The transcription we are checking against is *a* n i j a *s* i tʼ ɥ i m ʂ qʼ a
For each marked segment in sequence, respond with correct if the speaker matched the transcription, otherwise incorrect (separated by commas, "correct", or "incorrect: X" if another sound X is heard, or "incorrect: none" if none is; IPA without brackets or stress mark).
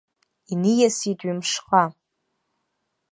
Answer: incorrect: i, correct